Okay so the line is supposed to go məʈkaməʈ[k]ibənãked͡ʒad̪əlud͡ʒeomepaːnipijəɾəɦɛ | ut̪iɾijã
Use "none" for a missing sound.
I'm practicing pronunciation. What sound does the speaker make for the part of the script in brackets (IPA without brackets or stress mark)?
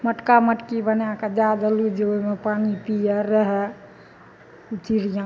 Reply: k